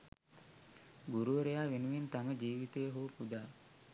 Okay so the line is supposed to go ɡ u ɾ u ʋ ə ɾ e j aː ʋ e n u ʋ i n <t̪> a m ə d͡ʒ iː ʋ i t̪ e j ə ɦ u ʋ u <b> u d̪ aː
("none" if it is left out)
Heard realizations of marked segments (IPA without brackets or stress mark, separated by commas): t̪, p